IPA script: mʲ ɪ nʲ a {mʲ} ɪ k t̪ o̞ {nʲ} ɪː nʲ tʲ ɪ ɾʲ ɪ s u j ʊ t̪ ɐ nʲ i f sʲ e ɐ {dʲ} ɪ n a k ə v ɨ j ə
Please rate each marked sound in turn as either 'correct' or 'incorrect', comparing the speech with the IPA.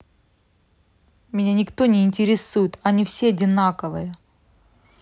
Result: incorrect: nʲ, correct, correct

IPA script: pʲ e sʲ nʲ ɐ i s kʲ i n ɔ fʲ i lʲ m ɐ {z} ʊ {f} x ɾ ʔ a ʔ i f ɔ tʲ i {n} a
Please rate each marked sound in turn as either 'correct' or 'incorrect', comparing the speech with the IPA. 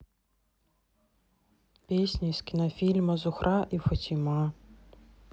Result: correct, incorrect: none, incorrect: m

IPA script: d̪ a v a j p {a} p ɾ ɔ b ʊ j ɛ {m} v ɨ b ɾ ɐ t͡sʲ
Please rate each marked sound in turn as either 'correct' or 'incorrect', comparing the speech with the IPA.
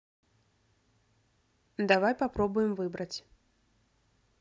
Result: correct, correct

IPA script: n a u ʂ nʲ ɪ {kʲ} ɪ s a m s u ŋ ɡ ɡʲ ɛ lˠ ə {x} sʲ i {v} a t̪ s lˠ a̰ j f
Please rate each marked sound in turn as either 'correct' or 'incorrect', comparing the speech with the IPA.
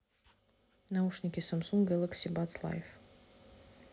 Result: correct, incorrect: k, incorrect: b

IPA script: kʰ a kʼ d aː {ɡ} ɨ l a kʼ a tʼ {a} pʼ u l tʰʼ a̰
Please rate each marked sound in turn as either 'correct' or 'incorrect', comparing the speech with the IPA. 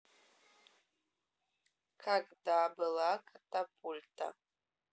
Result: incorrect: b, correct

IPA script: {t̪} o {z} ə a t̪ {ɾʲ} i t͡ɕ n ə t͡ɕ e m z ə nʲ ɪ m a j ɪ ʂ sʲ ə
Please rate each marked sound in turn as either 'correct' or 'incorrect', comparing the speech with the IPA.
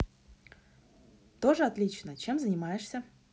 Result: correct, incorrect: ʐ, incorrect: lʲ

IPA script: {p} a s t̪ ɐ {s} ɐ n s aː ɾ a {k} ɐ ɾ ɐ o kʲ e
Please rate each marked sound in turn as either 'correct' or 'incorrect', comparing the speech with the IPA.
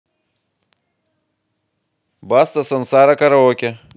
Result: incorrect: b, correct, correct

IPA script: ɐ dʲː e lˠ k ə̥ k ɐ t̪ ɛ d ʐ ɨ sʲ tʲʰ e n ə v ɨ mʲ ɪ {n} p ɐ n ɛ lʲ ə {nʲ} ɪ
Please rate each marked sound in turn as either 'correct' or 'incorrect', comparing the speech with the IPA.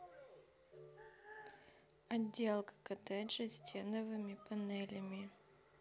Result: incorrect: none, incorrect: mʲ

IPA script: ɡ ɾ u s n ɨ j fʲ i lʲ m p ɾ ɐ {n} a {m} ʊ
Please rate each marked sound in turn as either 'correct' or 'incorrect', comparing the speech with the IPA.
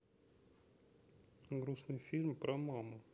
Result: incorrect: m, correct

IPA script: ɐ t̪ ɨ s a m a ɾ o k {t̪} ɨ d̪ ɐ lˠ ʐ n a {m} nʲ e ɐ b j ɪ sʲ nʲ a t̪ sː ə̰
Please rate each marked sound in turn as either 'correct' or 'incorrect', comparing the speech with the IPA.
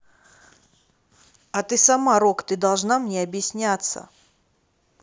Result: correct, correct

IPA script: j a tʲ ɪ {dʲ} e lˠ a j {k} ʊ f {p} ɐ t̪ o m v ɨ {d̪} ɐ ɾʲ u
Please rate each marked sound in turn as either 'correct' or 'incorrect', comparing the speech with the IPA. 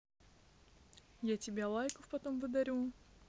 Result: incorrect: bʲ, correct, correct, correct

